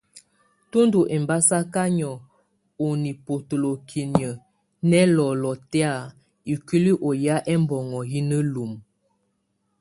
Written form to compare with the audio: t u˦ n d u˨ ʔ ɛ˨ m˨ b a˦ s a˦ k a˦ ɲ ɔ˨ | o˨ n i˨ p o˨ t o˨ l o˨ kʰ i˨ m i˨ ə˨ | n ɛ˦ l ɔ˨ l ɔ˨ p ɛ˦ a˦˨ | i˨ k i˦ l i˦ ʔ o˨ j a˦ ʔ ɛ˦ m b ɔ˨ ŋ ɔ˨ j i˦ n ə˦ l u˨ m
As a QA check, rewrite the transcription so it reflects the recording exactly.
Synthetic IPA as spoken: t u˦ n d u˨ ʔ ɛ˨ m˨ b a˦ s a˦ k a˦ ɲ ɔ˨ | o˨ n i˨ p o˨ t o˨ l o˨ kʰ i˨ n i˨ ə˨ | n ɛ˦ l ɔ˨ l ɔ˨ t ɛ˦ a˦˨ | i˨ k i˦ l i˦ ʔ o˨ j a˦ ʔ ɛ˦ m b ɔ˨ ŋ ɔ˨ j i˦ n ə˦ l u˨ m